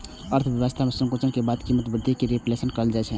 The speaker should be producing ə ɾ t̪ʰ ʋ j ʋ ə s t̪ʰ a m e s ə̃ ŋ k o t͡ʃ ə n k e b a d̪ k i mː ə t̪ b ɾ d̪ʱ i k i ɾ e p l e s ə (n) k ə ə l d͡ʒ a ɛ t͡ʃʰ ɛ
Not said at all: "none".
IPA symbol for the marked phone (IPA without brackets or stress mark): n